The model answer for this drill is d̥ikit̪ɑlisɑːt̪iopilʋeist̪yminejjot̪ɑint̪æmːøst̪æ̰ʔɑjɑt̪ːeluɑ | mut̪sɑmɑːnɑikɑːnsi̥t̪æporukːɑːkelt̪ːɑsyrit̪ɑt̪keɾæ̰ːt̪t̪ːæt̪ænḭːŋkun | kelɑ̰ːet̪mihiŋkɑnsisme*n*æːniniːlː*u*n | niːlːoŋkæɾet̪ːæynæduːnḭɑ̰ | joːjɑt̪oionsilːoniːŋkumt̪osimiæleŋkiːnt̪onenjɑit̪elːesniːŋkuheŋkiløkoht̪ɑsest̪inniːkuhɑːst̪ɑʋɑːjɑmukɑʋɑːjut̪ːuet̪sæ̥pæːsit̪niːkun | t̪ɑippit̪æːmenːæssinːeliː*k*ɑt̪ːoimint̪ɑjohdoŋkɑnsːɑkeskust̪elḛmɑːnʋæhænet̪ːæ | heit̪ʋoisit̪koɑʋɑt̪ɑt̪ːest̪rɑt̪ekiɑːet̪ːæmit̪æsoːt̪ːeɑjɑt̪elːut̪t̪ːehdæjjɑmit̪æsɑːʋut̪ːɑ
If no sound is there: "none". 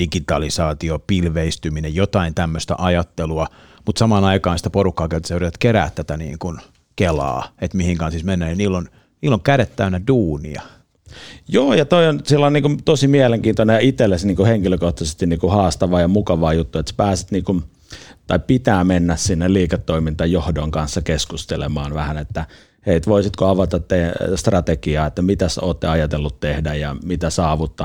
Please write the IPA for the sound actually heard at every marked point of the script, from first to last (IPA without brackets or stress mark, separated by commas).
nː, o, k